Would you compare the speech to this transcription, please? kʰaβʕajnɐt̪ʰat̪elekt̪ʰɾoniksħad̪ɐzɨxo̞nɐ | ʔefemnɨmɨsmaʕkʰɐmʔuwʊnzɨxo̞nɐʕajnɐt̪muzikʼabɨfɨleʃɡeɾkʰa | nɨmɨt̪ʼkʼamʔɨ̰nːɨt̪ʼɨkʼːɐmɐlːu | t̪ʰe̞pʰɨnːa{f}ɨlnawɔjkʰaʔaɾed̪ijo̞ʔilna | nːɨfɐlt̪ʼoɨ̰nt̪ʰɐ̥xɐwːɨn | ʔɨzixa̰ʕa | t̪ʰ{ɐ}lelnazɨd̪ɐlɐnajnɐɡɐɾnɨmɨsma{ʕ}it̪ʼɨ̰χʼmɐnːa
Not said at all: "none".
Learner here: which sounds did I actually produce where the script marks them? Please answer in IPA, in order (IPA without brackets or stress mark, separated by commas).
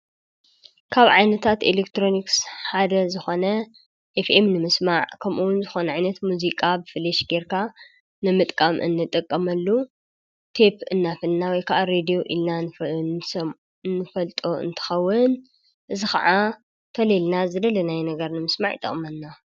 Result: f, ɐ, ʕ